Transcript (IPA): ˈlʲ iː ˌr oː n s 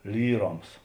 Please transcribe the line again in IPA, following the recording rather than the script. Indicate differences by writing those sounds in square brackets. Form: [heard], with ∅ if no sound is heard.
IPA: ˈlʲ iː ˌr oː [m] s